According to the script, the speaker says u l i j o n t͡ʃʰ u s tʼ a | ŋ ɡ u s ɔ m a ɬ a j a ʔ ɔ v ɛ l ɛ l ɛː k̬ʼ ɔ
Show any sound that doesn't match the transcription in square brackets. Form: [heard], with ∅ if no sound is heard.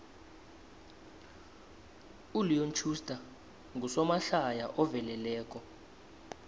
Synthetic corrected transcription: u l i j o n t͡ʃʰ u s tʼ a | ŋ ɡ u s ɔ m a ɬ a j a ʔ ɔ v ɛ l ɛ l ɛː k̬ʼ ɔ